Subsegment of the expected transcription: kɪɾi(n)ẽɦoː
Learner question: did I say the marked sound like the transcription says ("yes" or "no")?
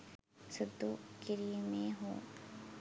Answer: no